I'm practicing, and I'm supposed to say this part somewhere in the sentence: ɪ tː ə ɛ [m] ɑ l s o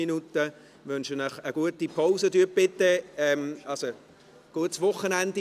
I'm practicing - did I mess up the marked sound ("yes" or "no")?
no